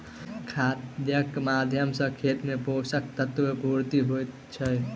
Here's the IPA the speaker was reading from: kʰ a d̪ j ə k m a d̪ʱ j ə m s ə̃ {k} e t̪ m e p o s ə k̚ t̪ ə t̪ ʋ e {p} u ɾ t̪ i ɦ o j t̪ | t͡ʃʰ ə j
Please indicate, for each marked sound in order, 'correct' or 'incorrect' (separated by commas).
incorrect, correct